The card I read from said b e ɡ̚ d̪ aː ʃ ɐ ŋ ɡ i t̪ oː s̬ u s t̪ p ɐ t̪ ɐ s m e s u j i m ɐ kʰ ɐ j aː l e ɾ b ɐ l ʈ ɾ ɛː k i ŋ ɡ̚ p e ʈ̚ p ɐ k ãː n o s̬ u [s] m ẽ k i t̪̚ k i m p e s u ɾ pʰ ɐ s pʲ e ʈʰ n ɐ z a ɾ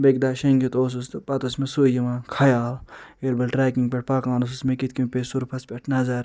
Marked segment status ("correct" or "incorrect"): correct